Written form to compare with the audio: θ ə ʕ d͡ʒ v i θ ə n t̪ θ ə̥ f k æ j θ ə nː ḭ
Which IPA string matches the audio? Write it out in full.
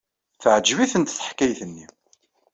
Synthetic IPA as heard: θ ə ʕ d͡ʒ v i θ ə n t̪ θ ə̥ ħ k æ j θ ə nː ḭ